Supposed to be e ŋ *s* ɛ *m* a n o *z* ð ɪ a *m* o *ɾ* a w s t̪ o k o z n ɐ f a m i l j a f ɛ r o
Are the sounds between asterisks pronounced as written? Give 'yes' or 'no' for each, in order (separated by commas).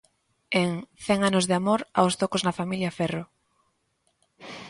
no, no, yes, yes, yes